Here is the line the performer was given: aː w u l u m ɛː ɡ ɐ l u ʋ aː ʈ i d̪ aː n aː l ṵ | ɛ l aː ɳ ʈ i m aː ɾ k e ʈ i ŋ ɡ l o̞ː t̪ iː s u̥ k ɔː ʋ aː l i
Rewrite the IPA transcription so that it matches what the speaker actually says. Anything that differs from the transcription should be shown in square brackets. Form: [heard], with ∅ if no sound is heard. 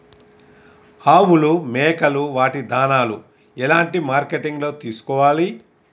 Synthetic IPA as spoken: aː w u l u m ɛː [k] ɐ l u ʋ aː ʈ i d̪ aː n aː l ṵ | ɛ l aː ɳ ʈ i m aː ɾ k e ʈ i ŋ ɡ l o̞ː t̪ iː s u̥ k ɔː ʋ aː l i